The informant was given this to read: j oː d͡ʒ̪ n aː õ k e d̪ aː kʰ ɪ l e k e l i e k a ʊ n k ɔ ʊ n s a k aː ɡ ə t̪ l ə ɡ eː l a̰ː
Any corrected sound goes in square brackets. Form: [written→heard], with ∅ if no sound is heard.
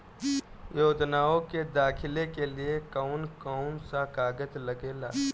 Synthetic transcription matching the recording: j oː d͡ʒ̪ n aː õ k e d̪ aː kʰ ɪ l e k e l i e k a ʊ n k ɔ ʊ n s a k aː ɡ ə t̪ l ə ɡ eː l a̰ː